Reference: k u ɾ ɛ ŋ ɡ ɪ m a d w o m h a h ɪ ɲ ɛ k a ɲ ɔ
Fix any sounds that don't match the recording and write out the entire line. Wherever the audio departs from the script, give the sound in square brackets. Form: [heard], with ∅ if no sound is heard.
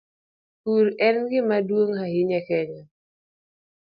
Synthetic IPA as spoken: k u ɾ ɛ [n] ɡ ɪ m a d w o [ŋ] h a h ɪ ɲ ɛ k [ɛ] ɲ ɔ